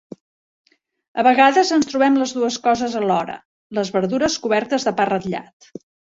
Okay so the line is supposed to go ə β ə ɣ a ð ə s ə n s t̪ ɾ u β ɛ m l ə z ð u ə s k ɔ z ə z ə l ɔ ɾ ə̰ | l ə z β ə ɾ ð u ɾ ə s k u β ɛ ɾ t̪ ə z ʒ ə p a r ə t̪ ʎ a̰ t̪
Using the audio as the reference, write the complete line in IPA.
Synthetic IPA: ə β ə ɣ a ð ə z ə n s t̪ ɾ u β ɛ m l ə z ð u ə s k ɔ z ə z ə l ɔ ɾ ə̰ | l ə z β ə ɾ ð u ɾ ə s k u β ɛ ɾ t̪ ə z ð ə p a r ə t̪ ʎ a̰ t̪